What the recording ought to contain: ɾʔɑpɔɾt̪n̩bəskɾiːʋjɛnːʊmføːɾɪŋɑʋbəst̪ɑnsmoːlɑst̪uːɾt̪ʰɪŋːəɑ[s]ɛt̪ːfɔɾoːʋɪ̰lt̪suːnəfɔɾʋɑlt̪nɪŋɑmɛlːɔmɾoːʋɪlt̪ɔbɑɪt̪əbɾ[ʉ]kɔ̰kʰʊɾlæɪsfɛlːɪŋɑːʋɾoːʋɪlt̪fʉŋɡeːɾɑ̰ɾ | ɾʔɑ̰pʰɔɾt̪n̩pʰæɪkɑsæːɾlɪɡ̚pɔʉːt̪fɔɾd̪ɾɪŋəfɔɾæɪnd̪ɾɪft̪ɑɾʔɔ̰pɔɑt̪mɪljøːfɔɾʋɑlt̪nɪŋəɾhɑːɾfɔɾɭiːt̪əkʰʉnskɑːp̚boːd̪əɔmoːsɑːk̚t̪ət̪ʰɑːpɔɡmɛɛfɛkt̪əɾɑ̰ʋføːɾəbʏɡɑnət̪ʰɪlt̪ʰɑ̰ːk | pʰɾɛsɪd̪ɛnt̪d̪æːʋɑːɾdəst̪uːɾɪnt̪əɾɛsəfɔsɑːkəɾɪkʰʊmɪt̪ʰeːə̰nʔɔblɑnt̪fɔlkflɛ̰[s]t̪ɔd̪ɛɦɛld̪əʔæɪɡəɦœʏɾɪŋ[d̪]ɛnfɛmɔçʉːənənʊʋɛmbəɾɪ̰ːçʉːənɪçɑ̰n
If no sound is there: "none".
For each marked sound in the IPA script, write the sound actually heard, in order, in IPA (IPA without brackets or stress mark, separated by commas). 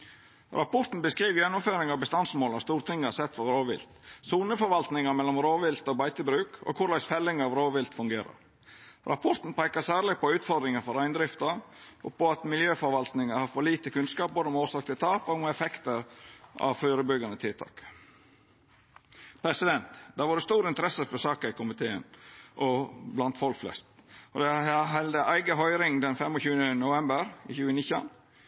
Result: s, ʉː, s, d̪